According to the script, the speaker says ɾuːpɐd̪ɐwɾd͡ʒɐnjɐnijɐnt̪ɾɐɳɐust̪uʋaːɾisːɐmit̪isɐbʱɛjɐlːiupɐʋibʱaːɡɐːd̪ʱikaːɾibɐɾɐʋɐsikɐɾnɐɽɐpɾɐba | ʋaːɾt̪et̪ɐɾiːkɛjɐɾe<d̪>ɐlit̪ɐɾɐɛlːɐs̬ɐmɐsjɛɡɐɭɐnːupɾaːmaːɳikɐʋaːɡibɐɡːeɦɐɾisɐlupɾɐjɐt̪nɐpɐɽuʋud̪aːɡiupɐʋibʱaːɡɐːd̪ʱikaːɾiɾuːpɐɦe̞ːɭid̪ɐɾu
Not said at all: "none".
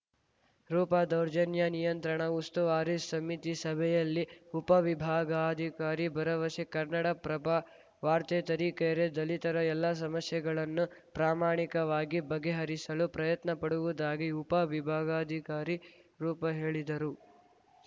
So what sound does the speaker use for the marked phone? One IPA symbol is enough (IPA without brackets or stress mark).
d̪